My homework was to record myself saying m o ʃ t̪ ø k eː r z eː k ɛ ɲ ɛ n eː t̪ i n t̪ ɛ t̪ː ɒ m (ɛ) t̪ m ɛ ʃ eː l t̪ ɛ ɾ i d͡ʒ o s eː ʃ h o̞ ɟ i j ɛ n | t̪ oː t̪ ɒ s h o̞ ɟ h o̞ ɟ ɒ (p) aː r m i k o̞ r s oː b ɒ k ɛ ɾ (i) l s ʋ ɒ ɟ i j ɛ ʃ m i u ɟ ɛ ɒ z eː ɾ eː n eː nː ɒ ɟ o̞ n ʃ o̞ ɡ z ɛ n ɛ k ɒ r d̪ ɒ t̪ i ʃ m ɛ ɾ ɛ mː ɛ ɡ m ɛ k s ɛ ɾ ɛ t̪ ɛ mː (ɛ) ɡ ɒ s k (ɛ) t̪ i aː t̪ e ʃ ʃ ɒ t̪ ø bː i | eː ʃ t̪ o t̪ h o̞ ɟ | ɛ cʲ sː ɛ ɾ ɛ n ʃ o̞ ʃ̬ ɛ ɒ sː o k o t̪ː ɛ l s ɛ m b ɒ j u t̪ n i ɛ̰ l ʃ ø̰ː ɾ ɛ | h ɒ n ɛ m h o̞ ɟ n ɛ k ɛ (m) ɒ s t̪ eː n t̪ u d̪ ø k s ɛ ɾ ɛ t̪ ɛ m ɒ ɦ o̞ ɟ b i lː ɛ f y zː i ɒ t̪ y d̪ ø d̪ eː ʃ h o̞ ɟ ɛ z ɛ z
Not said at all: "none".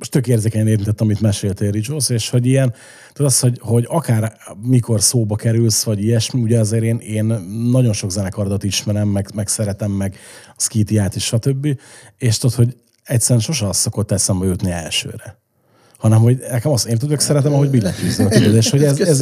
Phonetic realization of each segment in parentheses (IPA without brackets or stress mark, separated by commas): i, k, y, ɛ, i, m